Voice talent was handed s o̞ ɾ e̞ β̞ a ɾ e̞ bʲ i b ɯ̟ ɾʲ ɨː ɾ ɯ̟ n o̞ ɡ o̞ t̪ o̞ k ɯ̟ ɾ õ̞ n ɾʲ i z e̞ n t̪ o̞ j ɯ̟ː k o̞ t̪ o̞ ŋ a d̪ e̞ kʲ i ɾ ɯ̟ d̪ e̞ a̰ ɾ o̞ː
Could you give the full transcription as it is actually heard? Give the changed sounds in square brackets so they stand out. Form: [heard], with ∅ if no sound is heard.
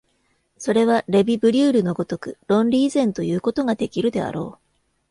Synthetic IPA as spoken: s o̞ ɾ e̞ β̞ a ɾ e̞ bʲ i b ɯ̟ ɾʲ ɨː ɾ ɯ̟ n o̞ ɡ o̞ t̪ o̞ k ɯ̟ ɾ õ̞ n ɾʲ [iː] z [ẽ̞] n t̪ o̞ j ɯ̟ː k o̞ t̪ o̞ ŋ a d̪ e̞ kʲ i ɾ ɯ̟ d̪ e̞ a̰ ɾ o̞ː